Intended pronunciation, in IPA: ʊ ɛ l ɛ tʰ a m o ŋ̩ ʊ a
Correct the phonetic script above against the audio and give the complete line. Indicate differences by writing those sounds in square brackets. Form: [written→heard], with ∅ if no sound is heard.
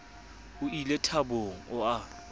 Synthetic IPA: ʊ [ɛ→i] l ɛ tʰ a [m→b] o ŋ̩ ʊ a